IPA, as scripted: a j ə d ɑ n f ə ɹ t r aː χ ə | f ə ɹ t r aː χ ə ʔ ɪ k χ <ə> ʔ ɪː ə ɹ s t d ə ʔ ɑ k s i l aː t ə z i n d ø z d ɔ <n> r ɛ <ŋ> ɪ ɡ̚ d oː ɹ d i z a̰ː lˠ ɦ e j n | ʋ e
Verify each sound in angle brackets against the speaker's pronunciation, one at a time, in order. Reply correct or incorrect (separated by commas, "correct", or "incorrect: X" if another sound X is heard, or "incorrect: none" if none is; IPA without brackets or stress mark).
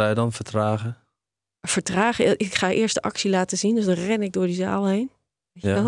incorrect: a, correct, incorrect: n